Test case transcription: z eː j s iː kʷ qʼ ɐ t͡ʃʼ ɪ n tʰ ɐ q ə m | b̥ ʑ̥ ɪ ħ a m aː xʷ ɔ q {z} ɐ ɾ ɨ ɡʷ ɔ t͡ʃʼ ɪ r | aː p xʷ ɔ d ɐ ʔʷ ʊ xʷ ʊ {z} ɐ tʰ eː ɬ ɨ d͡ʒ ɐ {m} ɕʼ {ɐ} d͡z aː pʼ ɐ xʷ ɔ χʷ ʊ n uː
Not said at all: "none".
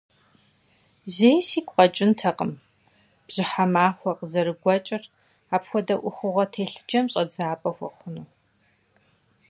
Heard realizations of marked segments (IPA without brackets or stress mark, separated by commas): z, ʁ, m, ɐ